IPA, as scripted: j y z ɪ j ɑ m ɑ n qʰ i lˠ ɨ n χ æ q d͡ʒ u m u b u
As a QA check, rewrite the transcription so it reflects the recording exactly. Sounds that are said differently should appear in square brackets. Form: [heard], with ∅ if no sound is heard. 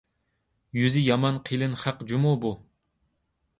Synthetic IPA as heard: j y z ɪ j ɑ m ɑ n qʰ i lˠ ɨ n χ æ q d͡ʒ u m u b u